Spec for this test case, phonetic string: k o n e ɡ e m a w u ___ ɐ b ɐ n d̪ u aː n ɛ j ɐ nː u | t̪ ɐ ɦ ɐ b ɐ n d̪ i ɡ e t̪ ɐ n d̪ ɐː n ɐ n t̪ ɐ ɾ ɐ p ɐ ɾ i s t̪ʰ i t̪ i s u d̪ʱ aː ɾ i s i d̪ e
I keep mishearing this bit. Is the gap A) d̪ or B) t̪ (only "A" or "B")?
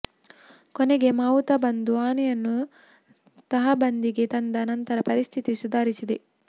B